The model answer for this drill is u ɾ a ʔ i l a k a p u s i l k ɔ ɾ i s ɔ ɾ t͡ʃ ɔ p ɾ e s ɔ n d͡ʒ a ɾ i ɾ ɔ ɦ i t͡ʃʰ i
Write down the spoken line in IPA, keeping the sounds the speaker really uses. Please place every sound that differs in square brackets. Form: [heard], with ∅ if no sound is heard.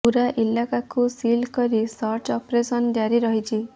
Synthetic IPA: u ɾ a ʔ i l a k a [k] u s i l k ɔ ɾ i s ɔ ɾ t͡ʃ ɔ p ɾ e s ɔ n d͡ʒ a ɾ i ɾ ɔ ɦ i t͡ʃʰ i